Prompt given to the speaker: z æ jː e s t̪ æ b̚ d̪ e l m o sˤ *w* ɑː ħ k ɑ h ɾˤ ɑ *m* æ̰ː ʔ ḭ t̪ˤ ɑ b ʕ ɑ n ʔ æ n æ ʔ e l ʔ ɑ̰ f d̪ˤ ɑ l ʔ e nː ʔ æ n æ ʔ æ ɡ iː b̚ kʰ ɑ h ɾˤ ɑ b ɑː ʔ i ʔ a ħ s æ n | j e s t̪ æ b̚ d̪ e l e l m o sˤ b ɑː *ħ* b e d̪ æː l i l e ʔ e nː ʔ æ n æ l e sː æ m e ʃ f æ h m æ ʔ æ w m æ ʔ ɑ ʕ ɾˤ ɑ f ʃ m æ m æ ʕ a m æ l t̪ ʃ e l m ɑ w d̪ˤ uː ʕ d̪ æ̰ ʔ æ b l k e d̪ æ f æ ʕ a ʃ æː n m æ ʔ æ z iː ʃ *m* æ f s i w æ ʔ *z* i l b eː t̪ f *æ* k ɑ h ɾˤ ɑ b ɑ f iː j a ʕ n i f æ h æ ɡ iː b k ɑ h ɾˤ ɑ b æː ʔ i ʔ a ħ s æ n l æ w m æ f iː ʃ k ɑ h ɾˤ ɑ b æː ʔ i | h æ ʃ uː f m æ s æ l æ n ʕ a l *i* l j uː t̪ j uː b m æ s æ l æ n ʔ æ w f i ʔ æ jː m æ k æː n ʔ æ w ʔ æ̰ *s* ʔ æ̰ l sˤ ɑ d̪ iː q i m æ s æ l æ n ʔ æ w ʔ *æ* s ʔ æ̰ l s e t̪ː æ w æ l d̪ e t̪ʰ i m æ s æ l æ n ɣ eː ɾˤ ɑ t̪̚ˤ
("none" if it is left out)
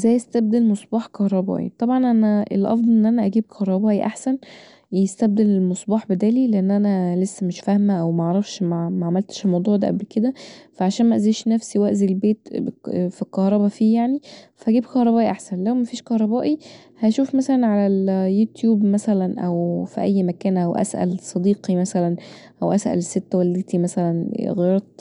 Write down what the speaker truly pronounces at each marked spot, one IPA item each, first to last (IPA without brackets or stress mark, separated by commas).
b, b, ħ, n, z, i, æ, s, æ